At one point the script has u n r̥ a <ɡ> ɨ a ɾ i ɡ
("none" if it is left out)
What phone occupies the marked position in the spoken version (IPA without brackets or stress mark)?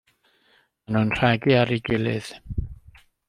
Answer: ɡ